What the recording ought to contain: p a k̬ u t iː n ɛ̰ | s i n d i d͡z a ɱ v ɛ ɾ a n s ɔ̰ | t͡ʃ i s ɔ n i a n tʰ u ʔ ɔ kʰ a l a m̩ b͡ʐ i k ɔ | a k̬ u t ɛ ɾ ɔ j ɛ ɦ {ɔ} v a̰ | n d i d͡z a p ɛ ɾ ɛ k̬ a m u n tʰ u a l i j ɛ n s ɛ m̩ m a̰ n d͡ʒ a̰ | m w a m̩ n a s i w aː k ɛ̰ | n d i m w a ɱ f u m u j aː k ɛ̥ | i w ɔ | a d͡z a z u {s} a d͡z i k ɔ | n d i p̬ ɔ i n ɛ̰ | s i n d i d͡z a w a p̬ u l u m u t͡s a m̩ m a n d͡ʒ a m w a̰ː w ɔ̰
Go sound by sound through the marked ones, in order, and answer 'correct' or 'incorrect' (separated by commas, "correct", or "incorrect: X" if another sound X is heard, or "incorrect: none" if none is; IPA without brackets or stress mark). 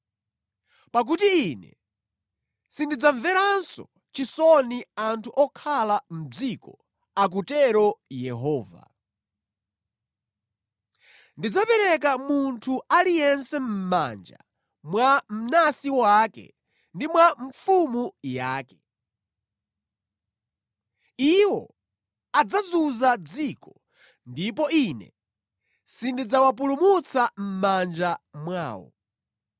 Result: incorrect: ɔː, incorrect: z